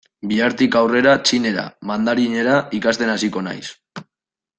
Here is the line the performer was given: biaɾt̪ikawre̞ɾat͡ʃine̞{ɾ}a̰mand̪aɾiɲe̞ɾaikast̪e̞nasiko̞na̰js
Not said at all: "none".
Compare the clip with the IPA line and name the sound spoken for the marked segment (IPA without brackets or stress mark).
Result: ɾ